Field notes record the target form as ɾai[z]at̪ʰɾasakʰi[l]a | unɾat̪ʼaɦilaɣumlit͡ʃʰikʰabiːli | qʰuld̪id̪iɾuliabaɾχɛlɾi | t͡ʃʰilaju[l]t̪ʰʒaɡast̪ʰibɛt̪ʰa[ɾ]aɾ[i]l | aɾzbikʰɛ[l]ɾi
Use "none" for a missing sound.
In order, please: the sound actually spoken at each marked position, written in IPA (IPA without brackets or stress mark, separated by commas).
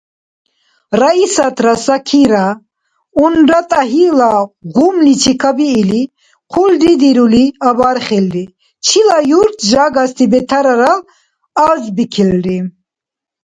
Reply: s, ɾ, ɾ, ɾ, a, l